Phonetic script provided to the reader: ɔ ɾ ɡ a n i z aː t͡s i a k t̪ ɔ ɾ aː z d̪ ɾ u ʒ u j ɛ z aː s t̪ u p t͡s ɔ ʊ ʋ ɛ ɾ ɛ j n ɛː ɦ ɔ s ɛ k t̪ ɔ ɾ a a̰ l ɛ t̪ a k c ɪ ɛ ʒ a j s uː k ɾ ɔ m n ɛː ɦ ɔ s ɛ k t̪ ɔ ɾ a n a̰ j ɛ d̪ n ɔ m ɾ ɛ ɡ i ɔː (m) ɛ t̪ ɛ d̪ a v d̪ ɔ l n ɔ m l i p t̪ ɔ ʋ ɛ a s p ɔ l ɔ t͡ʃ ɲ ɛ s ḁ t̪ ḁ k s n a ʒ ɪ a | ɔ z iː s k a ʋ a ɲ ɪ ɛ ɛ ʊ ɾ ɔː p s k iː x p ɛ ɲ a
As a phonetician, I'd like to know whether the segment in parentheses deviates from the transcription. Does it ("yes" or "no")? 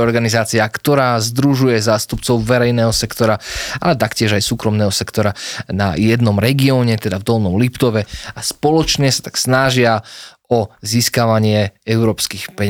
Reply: yes